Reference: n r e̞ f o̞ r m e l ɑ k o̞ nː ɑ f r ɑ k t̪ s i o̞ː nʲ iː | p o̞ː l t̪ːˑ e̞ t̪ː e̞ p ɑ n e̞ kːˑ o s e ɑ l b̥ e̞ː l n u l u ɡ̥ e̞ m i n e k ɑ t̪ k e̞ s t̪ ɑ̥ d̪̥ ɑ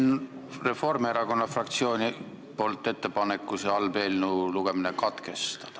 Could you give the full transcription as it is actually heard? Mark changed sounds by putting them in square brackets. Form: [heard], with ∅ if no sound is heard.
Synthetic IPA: n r e̞ f o̞ r m e [ɾ] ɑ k o̞ nː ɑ f r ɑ k t̪ s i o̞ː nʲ [i] | p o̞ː l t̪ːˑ e̞ t̪ː e̞ p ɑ n e̞ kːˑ [u] s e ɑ l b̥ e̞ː l n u l u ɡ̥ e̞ m i n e k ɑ t̪ k e̞ s t̪ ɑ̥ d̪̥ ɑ

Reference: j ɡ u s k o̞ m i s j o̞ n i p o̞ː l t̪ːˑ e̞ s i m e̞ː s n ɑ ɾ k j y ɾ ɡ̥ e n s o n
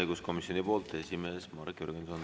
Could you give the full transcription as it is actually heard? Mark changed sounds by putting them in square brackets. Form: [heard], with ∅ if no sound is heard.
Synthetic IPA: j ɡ u s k o̞ m i s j o̞ n i p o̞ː l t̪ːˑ e̞ s i m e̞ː s [m] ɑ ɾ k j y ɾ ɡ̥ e n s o n

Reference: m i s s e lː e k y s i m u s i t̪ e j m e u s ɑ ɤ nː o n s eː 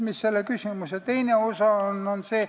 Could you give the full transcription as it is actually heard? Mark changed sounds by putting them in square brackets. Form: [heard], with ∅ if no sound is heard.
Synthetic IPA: m i s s e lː e k y s i m u s [e] t̪ e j [n] e [o] s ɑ [o] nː o n s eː

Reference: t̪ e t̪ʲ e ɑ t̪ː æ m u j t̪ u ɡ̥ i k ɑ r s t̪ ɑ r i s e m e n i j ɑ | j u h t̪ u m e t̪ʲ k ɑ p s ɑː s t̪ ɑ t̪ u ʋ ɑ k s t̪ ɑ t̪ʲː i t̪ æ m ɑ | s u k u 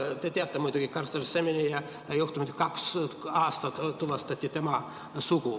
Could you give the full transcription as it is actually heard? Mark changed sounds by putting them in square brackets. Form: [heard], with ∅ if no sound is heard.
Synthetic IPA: t̪ e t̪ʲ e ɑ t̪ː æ m u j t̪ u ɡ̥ i k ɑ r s t̪ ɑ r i s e m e n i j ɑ | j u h t̪ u m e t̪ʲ k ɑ [k] s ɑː s t̪ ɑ t̪ u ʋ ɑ [∅] s t̪ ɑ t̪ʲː i t̪ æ m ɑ | s u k u

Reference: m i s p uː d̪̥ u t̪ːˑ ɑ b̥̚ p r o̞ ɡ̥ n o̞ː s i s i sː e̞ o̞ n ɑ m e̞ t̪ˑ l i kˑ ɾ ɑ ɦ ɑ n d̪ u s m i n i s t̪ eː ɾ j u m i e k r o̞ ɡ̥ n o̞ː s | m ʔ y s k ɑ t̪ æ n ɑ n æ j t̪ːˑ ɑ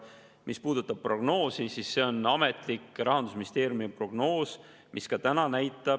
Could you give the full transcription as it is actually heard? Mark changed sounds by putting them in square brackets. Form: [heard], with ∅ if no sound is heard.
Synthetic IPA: m i s p uː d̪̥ u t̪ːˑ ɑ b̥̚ p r o̞ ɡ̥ n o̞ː s i s i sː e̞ o̞ n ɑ m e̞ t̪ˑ l i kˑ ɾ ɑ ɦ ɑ n d̪ u s m i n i s t̪ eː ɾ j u m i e [p] r o̞ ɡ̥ n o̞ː s | m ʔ [i] s k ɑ t̪ æ n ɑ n æ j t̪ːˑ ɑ

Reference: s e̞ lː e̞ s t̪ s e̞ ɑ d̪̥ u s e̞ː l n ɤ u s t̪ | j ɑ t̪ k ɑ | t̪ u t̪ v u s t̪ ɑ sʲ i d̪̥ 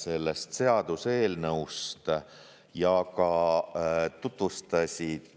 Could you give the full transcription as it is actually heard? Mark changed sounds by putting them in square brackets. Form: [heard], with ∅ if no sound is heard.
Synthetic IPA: s e̞ lː e̞ s t̪ s e̞ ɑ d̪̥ u s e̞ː l n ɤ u s t̪ | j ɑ [∅] k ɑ | t̪ u t̪ v u s t̪ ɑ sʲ i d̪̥

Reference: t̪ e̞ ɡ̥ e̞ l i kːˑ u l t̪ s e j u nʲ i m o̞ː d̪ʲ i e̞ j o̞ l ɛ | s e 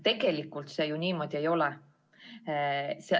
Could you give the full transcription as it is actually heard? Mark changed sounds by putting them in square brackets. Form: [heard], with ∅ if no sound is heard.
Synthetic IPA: t̪ e̞ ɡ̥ e̞ l i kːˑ u l t̪ s e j u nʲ [iː] m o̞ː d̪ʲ i e̞ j o̞ l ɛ | s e

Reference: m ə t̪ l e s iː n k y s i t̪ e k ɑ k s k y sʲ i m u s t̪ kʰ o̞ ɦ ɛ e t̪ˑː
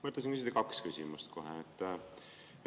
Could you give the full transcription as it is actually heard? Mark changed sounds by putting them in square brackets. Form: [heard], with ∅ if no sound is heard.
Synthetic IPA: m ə t̪ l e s [i] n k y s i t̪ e k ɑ k s k y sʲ i m u s t̪ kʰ o̞ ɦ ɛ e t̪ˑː

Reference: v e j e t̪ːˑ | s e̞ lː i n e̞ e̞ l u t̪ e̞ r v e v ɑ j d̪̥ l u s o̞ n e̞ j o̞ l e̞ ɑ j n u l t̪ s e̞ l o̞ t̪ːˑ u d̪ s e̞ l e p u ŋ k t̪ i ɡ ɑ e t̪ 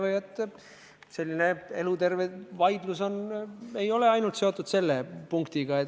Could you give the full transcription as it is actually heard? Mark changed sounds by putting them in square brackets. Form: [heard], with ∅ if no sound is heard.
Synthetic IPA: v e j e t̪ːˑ | s e̞ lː i n e̞ e̞ l u t̪ e̞ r v e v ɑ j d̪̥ l u s o̞ n e̞ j o̞ l e̞ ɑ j n u l t̪ s e̞ [∅] o̞ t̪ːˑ u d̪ s e̞ [lː] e p u ŋ k t̪ i ɡ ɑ e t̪

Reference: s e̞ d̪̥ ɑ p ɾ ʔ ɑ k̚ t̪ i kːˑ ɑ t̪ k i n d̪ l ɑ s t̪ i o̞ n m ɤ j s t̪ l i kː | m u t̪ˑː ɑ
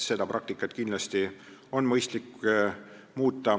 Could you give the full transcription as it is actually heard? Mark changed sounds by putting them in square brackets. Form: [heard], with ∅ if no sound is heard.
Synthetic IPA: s e̞ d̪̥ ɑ p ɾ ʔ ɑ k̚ t̪ i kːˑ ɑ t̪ k i n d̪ l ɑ s t̪ i o̞ n m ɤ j s t̪ l i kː | m [uː] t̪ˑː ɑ

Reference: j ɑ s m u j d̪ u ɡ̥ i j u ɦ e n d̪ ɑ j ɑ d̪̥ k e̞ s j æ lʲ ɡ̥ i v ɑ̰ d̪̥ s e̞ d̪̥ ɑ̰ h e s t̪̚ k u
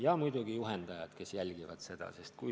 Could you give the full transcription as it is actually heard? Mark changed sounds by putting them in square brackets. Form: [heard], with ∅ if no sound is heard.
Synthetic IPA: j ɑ [∅] m u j d̪ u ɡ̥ i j u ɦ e n d̪ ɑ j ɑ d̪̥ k e̞ s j æ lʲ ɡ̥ i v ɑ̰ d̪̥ s e̞ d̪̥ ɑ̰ [s] e s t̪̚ k u

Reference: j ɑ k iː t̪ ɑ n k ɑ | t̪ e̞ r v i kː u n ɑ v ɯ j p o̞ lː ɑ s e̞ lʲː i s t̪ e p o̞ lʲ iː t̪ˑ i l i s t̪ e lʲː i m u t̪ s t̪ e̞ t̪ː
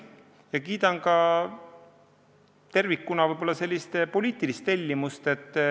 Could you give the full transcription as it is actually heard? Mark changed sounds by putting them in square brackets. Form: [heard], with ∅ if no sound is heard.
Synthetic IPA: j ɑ k iː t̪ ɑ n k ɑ | t̪ e̞ r v i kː u n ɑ v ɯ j [b] o̞ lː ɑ s e̞ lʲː i s t̪ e p o̞ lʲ iː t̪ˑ i l i s t̪ e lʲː i m u [∅] s t̪ e̞ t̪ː

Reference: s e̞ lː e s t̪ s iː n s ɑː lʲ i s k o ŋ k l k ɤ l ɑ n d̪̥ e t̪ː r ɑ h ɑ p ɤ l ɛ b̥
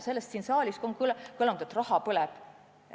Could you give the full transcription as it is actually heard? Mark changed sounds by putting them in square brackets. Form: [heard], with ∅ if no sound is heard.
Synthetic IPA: s e̞ lː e s t̪ s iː n s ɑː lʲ i s k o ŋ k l k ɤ l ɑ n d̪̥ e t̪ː r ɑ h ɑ p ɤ l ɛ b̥

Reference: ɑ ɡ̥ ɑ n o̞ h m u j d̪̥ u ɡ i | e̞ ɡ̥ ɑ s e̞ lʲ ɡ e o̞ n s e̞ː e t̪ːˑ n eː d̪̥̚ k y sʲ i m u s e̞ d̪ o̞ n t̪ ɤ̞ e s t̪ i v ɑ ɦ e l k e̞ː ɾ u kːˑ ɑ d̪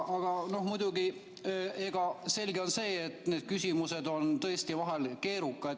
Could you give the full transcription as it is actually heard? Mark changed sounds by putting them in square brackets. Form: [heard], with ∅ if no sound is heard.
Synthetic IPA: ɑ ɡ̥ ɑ n o̞ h m u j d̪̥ u ɡ i | e̞ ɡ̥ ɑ s e̞ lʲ ɡ e o̞ n s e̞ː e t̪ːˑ n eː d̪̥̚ k y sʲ i m u s e̞ d̪ o̞ n t̪ ɤ̞ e s t̪ i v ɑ ɦ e l k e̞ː ɾ u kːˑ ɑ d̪

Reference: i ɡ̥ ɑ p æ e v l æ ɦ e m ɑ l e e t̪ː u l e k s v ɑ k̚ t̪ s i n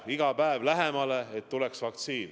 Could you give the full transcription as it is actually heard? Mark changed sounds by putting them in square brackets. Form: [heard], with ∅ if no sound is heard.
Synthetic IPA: i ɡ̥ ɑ p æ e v l æ ɦ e m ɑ l e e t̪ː u l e k s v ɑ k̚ t̪ s [iː] n

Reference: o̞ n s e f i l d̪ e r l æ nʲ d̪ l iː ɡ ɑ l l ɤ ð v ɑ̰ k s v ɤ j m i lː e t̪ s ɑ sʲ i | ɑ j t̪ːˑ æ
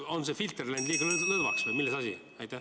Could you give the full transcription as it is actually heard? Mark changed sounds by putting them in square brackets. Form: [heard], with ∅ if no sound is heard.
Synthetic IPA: o̞ n s e f i l [t̪] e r l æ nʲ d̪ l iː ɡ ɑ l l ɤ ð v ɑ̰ k s v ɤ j m i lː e [∅] s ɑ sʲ i | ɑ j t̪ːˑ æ

